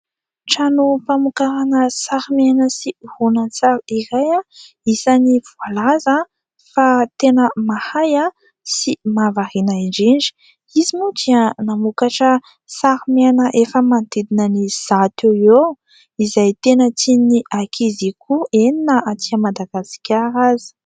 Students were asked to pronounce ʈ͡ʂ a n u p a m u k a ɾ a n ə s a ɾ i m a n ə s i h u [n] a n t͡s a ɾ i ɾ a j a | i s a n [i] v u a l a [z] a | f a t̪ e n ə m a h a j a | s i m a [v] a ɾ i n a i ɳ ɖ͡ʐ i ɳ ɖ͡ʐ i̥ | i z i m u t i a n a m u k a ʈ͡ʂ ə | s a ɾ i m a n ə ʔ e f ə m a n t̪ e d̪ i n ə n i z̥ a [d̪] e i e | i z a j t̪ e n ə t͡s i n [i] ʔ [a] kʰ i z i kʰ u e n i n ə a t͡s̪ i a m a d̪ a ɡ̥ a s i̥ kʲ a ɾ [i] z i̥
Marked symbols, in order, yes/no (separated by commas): yes, yes, yes, yes, no, yes, yes, no